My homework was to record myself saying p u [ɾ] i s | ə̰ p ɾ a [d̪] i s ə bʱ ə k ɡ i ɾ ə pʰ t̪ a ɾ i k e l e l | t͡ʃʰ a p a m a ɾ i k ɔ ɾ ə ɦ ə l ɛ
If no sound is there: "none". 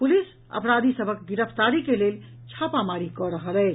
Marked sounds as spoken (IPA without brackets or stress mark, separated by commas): l, d̪